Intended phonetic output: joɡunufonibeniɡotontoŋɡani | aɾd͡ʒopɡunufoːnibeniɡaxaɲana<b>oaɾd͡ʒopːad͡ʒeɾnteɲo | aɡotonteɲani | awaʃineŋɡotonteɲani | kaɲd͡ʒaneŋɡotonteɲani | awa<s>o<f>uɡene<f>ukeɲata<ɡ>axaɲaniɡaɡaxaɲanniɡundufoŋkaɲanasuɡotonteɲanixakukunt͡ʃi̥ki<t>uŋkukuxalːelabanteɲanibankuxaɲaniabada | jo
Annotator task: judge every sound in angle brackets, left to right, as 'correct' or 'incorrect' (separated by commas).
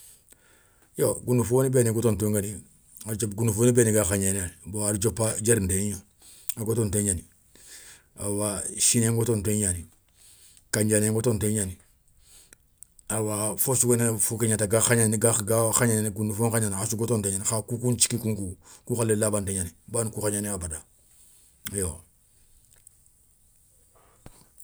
correct, incorrect, incorrect, correct, correct, incorrect